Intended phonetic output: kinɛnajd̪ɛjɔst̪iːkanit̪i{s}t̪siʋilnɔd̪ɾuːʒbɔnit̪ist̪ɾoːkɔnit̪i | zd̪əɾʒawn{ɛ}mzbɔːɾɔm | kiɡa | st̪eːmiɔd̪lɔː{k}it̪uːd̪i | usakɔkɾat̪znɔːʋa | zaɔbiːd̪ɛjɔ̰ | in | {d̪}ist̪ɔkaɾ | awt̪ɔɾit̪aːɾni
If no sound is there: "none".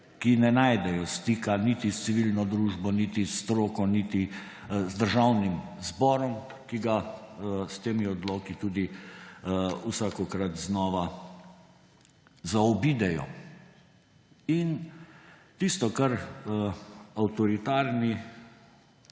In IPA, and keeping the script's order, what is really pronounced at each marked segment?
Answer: s, i, k, t̪

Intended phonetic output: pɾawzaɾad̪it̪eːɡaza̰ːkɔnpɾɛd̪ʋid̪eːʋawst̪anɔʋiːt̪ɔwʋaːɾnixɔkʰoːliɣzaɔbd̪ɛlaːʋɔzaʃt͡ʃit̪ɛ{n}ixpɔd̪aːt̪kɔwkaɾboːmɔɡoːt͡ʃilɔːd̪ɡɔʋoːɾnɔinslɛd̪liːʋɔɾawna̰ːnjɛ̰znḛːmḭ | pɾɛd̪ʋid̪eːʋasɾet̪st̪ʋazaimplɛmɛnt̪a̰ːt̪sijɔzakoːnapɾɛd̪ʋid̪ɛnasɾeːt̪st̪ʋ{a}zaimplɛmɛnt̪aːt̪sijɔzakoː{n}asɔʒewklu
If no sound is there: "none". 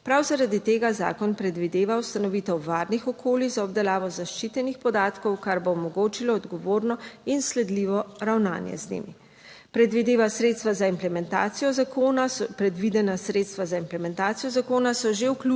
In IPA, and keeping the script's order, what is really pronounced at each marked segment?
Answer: n, a, n

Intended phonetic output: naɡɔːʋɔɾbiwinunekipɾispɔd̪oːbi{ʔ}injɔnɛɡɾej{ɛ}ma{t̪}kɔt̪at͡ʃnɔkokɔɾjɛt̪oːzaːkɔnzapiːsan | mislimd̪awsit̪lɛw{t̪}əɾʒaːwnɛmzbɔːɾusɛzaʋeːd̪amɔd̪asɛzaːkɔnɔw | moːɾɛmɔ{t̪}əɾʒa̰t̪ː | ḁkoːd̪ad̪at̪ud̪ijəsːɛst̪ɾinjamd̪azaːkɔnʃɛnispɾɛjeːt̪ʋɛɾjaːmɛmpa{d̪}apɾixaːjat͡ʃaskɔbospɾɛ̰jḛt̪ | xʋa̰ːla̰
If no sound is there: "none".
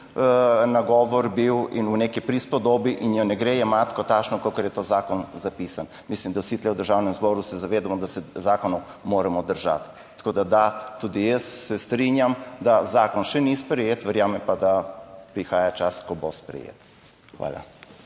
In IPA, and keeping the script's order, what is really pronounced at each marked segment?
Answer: ʔ, ɛ, t̪, d̪, d̪, d̪

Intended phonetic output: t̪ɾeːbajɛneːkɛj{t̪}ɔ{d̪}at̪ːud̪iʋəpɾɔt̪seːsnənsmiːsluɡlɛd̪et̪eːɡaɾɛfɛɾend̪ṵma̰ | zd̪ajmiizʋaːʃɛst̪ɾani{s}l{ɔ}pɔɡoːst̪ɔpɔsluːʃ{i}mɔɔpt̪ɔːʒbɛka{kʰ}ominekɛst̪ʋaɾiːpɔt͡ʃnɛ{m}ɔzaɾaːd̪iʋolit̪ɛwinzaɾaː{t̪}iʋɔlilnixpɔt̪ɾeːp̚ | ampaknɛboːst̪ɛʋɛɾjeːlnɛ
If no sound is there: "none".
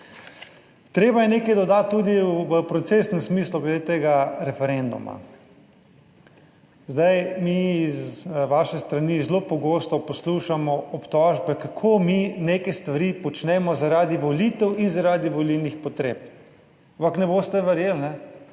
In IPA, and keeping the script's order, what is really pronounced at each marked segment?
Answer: d̪, d̪, z, o, a, kʰ, m, d̪

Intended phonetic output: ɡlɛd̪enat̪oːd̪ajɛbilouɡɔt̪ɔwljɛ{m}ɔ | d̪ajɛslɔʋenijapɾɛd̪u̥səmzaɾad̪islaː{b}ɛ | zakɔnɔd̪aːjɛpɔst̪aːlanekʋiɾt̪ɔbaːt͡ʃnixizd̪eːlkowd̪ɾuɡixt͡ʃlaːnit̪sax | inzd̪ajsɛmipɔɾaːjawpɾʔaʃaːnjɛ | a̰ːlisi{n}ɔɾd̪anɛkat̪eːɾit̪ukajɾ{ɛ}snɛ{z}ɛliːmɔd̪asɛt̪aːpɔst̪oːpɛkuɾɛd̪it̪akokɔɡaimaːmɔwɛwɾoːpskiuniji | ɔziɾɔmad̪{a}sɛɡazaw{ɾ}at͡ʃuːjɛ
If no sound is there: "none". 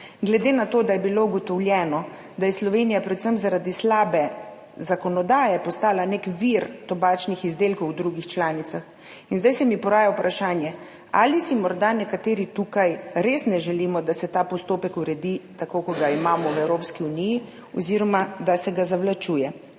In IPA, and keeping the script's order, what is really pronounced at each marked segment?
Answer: n, b, m, e, ʒ, a, l

